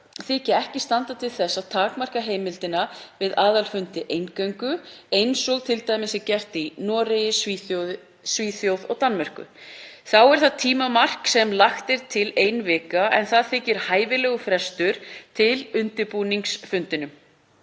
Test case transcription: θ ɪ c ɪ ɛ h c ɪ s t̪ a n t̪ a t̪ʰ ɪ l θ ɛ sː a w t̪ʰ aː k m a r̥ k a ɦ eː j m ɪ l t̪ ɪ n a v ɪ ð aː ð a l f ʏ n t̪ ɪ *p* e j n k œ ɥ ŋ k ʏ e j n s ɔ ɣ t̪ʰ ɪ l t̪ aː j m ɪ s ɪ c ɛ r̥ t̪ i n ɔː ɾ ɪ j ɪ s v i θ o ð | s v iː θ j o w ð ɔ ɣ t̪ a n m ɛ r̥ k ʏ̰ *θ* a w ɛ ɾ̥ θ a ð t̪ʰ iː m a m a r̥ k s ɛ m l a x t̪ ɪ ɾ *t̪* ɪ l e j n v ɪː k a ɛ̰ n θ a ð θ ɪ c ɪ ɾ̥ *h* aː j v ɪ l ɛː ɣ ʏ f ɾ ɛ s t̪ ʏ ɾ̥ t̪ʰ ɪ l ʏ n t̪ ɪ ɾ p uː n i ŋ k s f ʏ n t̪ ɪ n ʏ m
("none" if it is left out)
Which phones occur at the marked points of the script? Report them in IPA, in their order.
ʔ, θ, t̪ʰ, h

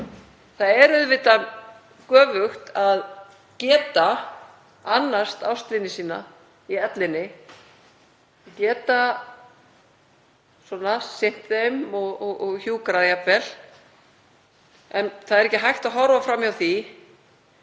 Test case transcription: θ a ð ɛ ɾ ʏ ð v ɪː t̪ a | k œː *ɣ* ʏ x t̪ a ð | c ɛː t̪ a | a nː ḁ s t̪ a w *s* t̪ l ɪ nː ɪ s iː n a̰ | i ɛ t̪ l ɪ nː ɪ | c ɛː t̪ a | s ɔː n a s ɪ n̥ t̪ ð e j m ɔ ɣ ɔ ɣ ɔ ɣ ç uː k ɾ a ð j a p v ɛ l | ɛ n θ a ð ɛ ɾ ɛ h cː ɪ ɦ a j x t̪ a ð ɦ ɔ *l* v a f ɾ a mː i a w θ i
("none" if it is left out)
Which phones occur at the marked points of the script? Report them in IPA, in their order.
v, s, ɾ

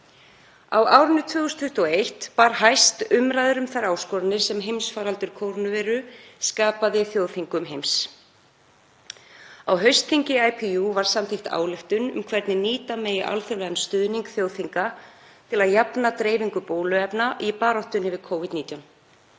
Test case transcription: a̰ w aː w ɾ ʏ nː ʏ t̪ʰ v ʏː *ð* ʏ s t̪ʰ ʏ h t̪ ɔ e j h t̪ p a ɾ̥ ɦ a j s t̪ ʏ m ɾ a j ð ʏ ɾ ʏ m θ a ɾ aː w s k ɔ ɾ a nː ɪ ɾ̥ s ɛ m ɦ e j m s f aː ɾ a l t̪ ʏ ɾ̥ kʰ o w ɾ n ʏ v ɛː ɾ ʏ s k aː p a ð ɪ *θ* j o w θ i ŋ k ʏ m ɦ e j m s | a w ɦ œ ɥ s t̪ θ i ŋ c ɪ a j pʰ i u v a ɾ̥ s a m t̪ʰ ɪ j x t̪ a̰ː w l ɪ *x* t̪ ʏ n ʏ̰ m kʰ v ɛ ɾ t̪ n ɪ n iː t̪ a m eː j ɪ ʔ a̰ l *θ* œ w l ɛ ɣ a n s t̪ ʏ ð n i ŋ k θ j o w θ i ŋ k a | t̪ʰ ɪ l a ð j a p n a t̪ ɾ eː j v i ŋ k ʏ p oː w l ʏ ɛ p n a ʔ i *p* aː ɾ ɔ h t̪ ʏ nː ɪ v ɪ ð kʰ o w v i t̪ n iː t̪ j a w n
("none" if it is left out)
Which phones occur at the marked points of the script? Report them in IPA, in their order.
ɣ, θ, f, θ, p

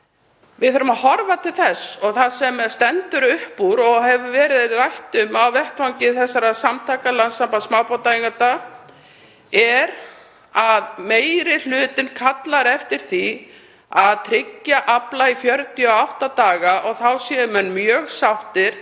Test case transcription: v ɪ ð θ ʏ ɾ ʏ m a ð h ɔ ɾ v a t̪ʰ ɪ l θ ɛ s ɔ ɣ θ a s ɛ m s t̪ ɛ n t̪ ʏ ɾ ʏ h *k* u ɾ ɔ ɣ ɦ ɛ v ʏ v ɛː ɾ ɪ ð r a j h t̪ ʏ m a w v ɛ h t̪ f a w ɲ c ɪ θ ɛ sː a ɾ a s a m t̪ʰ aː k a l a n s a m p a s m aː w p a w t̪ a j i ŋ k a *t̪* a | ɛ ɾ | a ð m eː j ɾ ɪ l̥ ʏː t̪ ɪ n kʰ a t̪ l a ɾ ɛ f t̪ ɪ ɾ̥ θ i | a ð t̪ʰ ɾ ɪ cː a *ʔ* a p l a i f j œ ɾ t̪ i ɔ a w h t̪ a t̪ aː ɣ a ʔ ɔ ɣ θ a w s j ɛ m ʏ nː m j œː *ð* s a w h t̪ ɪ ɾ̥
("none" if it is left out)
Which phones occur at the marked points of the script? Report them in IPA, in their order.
p, t̪, ʔ, ɣ

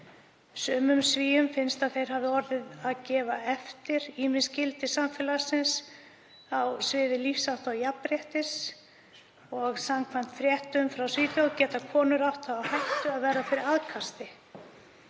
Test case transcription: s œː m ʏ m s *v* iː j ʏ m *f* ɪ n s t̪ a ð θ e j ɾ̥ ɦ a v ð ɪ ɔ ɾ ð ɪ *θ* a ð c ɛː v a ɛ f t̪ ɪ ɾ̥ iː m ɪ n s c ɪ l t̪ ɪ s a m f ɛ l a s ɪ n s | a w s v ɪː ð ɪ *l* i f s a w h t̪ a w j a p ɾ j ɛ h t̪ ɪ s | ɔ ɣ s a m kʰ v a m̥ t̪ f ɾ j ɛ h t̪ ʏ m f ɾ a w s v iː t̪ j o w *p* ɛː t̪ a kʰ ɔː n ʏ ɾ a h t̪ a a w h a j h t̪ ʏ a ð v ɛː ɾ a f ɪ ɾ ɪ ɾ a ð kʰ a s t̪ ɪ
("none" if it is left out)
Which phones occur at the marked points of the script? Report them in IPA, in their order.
v, f, ð, l, c

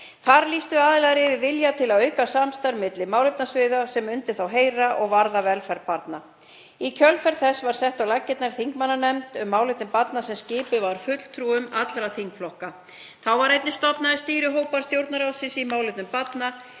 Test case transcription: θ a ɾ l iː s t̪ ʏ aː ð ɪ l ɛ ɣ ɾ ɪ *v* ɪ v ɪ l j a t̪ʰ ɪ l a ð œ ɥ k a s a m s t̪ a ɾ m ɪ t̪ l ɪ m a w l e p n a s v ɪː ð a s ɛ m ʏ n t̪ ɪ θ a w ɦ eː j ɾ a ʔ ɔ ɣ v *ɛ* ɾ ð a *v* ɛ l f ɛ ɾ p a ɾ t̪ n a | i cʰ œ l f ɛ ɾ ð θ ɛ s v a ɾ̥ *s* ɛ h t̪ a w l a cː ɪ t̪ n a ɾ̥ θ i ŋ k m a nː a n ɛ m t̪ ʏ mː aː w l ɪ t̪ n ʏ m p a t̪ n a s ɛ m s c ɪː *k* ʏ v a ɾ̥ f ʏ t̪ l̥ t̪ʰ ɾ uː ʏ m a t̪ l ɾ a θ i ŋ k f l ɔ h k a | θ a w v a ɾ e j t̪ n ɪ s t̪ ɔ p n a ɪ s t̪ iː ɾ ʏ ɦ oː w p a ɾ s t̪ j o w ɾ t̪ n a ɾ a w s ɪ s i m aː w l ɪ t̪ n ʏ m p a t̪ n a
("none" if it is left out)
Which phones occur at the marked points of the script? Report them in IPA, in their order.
v, a, v, s, p

